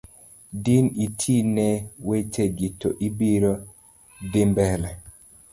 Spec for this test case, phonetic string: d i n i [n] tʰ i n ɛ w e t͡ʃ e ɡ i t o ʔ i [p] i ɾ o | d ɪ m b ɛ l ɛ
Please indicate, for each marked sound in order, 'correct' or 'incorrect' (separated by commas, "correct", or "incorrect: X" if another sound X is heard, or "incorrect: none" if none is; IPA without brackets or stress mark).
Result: incorrect: none, incorrect: b